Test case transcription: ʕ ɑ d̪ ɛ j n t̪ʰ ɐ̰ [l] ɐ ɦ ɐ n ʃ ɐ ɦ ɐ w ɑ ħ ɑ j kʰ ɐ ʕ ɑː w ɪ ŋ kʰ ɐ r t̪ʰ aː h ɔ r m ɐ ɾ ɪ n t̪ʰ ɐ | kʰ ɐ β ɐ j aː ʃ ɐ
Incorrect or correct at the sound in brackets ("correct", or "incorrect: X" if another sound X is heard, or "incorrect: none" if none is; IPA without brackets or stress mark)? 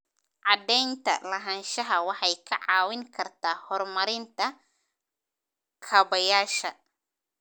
correct